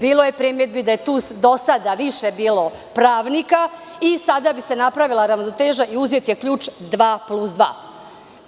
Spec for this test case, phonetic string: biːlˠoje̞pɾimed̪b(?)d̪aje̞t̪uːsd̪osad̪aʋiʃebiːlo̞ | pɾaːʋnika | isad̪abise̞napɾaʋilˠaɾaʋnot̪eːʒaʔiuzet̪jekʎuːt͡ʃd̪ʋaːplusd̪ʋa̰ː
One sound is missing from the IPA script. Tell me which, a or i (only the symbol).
i